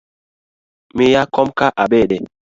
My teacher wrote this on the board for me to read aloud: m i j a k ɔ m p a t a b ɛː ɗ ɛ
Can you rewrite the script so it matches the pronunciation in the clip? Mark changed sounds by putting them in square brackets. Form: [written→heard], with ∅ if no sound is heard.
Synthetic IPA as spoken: m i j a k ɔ m [p→k] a [t→ʔ] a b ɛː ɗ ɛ